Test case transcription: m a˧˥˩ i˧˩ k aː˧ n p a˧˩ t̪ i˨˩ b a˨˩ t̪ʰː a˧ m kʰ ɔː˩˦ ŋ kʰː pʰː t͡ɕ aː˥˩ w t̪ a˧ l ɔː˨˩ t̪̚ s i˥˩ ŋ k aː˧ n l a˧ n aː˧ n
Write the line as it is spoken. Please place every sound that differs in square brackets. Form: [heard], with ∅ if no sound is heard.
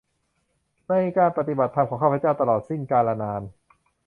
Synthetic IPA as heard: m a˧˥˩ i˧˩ k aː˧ n p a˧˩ t̪ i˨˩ b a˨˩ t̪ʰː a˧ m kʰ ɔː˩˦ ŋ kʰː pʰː t͡ɕ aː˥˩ w t̪ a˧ l ɔː˨˩ t̪̚ s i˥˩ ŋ k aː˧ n l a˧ n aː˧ n